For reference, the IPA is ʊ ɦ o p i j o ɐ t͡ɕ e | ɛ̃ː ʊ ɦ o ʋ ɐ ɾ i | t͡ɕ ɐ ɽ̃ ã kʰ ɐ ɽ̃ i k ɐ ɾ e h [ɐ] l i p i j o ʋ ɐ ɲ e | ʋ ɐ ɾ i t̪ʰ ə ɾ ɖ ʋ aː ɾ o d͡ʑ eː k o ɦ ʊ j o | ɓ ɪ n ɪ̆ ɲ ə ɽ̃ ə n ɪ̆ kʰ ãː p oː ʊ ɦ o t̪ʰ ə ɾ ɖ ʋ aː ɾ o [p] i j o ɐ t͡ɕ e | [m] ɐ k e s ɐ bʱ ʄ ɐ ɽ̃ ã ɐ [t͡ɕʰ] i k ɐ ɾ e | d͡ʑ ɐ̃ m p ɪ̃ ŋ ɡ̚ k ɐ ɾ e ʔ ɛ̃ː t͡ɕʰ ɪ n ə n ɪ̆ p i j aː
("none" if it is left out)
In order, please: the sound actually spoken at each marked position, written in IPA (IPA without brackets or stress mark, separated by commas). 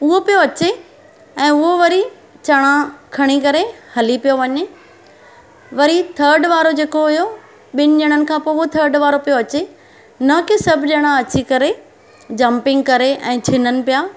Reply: ɐ, p, n, t͡ɕ